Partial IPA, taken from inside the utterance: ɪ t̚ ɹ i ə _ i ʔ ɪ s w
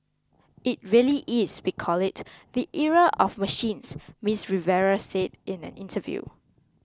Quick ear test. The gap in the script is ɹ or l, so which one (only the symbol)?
l